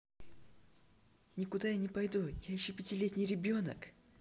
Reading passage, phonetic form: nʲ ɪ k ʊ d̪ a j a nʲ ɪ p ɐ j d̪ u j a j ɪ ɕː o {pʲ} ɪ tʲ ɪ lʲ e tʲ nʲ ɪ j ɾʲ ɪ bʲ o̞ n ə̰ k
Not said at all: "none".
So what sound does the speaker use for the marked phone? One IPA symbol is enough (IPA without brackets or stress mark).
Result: pʲ